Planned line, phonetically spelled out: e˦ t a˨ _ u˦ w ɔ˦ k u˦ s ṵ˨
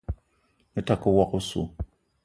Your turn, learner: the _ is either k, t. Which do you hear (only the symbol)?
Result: k